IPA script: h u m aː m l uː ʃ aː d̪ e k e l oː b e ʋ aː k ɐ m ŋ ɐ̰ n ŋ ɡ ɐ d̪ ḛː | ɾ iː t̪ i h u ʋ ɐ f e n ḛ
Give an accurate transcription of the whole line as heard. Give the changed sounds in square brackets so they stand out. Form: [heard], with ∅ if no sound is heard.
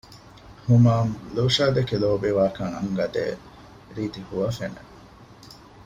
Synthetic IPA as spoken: h u m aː m l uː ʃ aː d̪ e k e l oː b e ʋ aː k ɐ [∅] ŋ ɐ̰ [∅] ŋ ɡ ɐ d̪ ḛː | ɾ iː t̪ i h u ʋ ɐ f e n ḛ

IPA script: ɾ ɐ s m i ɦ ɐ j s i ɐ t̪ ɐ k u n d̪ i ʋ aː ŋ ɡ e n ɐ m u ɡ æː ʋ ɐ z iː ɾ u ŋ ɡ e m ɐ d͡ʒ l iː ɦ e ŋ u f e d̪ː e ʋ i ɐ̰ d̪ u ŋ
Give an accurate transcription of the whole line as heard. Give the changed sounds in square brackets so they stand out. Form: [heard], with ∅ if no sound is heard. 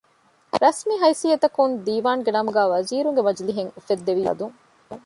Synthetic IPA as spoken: ɾ ɐ s m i ɦ ɐ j s i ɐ t̪ ɐ k u n d̪ [iː] ʋ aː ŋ ɡ e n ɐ m u ɡ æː ʋ ɐ z iː ɾ u ŋ ɡ e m ɐ d͡ʒ l [i] ɦ e ŋ u f e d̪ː e ʋ i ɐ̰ d̪ u ŋ

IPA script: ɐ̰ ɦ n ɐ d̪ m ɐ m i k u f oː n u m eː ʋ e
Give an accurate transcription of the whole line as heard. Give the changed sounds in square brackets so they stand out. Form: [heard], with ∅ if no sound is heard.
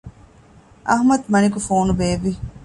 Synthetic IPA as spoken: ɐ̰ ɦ [m] ɐ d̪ m ɐ [n] i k u f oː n u [b] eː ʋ [i]

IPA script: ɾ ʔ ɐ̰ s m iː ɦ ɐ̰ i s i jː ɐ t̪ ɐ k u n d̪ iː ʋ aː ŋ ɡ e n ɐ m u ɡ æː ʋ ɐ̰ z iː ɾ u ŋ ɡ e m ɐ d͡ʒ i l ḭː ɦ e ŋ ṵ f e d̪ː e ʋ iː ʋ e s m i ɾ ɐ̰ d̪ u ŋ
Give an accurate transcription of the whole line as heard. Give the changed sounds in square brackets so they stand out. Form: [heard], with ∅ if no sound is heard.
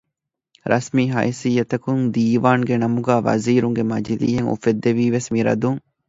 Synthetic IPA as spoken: ɾ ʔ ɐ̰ s m iː ɦ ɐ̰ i s i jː ɐ t̪ ɐ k u n d̪ iː ʋ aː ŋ ɡ e n ɐ m u ɡ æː ʋ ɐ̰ z iː ɾ u ŋ ɡ e m ɐ d͡ʒ i l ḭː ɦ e ŋ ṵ f e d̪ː e ʋ iː ʋ e s m i ɾ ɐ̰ d̪ u ŋ

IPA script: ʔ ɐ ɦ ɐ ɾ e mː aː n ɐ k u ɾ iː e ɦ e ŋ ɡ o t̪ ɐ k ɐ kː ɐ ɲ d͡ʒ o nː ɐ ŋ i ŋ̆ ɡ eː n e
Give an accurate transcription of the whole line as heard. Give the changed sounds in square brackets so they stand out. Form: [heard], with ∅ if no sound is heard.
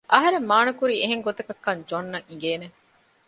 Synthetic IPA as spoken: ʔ ɐ ɦ ɐ ɾ e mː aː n ɐ k u ɾ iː e ɦ e ŋ ɡ o t̪ ɐ k ɐ kː ɐ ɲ d͡ʒ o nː ɐ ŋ i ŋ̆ ɡ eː n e

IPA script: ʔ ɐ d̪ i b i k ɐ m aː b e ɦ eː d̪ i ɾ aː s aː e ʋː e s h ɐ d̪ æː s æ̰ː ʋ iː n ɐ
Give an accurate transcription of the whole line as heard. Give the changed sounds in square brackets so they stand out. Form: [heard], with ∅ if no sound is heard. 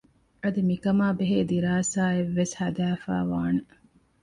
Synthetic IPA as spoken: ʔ ɐ d̪ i [m] i k ɐ m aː b e ɦ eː d̪ i ɾ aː s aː e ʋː e s h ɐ d̪ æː [f] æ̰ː ʋ [aː] n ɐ

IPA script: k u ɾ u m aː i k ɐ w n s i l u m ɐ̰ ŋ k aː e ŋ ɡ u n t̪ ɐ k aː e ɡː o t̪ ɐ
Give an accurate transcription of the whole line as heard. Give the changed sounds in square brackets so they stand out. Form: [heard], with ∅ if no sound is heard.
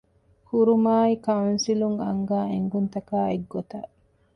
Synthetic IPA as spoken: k u ɾ u m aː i k ɐ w n s i l u [ŋ] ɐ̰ ŋ [ɡ] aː e ŋ ɡ u n t̪ ɐ k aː e ɡː o t̪ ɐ

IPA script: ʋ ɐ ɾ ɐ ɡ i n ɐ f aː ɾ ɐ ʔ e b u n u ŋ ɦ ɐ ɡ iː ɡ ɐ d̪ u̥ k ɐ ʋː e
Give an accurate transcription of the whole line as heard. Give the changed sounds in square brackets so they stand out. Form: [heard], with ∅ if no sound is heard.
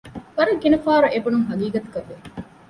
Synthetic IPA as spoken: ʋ ɐ ɾ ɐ ɡ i n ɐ f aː ɾ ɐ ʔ e b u n u ŋ ɦ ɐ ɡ iː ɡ ɐ [t̪] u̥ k ɐ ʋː e

